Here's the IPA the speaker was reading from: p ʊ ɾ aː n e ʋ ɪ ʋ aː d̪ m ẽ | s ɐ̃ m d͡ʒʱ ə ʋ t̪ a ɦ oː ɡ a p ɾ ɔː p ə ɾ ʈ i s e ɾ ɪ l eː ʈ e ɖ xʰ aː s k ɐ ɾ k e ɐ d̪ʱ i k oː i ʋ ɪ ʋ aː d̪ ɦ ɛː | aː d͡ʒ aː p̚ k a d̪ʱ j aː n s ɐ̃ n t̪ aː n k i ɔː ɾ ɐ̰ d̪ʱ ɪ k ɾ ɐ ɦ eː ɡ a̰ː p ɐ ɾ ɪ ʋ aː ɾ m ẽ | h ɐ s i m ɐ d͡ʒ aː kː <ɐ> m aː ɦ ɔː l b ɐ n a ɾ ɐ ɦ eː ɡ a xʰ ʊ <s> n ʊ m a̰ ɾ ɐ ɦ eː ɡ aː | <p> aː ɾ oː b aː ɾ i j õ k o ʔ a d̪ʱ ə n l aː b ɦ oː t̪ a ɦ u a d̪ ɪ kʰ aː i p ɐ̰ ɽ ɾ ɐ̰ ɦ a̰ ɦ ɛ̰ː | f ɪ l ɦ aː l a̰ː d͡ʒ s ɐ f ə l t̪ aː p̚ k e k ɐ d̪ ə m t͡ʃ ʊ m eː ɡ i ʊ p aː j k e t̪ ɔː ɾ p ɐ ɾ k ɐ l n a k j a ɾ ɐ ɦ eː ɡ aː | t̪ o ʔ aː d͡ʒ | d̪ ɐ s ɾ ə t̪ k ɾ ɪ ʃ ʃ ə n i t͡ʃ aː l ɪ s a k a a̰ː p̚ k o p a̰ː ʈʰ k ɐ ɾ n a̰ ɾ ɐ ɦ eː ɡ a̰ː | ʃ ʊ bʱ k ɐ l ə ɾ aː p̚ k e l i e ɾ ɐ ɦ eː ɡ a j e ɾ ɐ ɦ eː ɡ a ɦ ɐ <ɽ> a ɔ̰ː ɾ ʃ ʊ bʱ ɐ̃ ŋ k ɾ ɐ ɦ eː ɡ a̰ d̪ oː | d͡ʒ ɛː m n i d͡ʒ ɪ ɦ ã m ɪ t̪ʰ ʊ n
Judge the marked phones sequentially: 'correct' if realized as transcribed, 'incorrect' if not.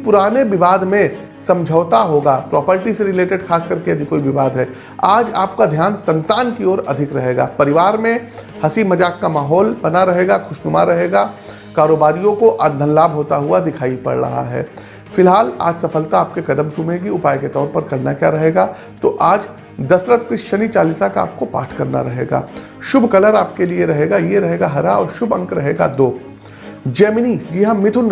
incorrect, incorrect, incorrect, incorrect

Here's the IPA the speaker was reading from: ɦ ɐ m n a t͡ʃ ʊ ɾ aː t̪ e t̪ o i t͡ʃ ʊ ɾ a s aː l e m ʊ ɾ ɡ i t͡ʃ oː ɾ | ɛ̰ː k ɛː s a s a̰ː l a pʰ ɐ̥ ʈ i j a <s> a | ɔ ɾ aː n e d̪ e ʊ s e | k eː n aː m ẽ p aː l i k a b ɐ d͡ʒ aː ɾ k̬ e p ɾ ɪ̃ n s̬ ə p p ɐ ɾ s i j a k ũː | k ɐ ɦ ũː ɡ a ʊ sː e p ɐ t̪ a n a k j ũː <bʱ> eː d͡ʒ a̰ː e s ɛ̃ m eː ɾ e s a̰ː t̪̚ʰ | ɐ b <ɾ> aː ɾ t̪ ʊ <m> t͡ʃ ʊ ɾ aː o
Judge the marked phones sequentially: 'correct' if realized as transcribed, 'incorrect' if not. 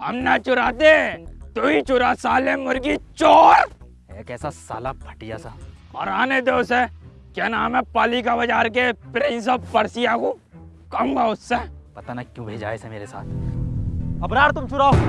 correct, correct, correct, correct

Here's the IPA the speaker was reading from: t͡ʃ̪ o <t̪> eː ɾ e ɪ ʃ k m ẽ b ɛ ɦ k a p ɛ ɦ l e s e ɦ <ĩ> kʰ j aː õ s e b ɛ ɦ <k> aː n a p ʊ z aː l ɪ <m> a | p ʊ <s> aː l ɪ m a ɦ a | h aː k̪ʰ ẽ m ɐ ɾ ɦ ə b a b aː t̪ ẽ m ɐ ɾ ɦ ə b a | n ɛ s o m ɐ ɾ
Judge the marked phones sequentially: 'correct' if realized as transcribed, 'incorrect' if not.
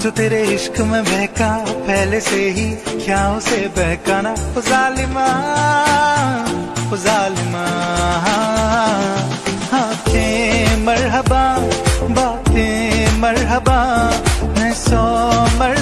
correct, incorrect, correct, correct, incorrect

